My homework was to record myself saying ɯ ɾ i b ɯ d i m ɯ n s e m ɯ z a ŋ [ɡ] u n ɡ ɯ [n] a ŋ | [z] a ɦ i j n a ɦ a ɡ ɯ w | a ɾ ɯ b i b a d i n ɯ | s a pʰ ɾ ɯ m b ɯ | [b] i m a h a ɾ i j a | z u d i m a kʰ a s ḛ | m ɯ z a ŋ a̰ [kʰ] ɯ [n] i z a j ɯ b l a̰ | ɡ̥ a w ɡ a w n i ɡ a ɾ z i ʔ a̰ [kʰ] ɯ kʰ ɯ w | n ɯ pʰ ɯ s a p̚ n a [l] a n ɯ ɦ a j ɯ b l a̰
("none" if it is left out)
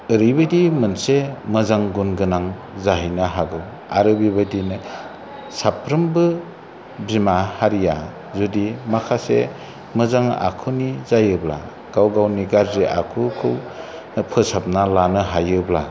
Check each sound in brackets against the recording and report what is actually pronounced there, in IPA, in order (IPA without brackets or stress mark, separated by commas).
ɡ, n, z, b, kʰ, n, kʰ, l